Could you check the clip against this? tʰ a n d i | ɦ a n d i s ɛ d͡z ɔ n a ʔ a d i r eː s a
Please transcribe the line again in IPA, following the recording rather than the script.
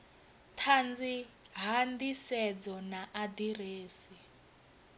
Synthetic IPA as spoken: tʰ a n d͡z i | ɦ a n d i s ɛ d͡z ɔ n a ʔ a d i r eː s i